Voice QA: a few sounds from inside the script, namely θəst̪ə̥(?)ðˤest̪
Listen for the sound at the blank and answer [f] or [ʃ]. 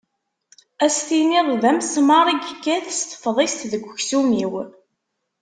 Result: f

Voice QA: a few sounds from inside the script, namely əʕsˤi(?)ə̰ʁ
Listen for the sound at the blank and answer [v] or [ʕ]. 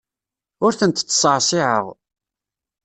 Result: ʕ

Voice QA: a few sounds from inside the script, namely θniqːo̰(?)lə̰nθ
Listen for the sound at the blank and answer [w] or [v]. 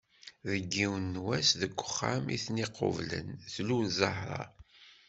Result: v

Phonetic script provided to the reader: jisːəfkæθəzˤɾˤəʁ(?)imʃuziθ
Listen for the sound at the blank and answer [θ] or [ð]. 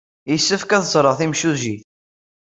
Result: θ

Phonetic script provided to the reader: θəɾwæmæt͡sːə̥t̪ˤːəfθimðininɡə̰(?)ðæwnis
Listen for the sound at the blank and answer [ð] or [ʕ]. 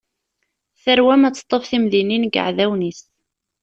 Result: ʕ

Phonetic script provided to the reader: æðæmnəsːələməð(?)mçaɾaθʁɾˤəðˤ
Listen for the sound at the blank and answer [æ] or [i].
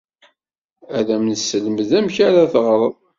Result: æ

